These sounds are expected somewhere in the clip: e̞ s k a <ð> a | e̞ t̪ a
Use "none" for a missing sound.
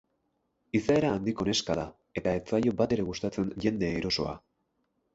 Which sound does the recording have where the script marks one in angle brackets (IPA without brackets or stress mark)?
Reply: ð